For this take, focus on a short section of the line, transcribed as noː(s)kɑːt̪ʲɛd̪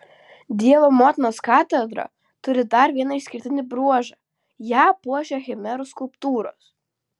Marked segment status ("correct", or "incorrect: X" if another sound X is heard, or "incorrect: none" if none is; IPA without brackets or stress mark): correct